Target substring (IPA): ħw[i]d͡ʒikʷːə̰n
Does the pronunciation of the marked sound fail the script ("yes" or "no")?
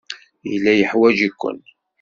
yes